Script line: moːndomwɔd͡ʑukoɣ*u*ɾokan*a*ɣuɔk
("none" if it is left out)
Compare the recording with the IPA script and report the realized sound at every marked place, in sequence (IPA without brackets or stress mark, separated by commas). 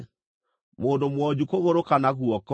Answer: o, a